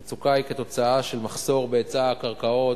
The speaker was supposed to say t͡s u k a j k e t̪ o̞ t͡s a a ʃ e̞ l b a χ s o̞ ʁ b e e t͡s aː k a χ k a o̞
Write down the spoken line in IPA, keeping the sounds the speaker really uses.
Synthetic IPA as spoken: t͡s u k a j k e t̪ o̞ t͡s a a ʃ e̞ l m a χ s o̞ ʁ b e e t͡s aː k a ʁ k a o̞